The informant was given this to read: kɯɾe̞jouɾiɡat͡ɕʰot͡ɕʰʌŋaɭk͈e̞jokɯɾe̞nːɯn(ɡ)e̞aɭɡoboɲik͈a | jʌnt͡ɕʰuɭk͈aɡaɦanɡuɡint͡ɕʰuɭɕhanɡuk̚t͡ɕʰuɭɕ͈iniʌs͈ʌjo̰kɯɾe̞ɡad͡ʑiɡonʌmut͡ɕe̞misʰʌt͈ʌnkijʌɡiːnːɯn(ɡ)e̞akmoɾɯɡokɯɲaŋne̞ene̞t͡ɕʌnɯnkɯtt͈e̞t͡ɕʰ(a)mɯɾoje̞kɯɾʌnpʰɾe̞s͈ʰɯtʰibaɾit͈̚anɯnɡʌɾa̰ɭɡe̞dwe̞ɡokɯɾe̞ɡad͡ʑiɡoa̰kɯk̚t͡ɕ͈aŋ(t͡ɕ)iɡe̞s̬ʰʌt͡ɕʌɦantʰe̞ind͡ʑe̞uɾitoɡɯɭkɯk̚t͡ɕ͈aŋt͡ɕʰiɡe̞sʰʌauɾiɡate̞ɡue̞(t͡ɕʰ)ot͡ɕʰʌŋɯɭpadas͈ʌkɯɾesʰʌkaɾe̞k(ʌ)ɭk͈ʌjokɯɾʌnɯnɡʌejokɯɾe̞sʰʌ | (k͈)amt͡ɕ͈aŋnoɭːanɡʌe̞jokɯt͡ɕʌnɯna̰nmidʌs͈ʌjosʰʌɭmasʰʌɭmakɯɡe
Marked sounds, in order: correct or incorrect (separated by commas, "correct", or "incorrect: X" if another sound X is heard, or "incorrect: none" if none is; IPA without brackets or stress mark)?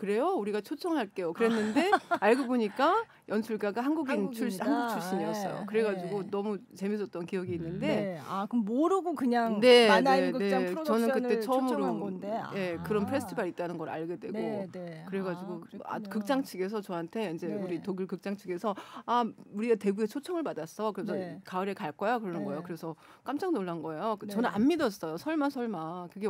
incorrect: d, incorrect: d, incorrect: ʌ, incorrect: t͡ɕʰ, correct, incorrect: a, correct